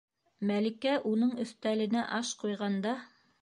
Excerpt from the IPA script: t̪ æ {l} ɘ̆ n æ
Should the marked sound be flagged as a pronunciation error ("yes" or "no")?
no